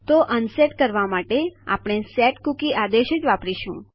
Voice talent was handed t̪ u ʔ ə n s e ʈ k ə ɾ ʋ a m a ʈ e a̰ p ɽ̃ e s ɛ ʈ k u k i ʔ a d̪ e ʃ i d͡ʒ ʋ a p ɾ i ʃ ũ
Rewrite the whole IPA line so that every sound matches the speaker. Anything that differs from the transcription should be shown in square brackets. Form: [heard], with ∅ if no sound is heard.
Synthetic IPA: t̪ [o] ʔ ə n s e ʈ k ə ɾ ʋ a m a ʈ e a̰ p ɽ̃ e s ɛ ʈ k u k i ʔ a d̪ e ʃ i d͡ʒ ʋ a p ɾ i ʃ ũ